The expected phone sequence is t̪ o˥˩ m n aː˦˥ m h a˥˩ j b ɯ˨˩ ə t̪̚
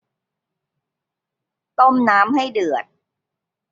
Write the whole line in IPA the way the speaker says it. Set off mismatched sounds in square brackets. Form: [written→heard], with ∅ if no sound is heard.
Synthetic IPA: t̪ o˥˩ m n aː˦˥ m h a˥˩ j [b→d] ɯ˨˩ ə t̪̚